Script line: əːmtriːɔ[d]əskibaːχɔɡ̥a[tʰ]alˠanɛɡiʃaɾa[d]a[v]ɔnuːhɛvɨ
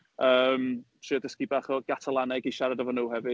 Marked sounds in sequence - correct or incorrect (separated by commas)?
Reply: correct, correct, correct, correct